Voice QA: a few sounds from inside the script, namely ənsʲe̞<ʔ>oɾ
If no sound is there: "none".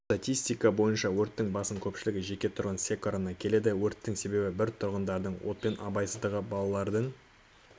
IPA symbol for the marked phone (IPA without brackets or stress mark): k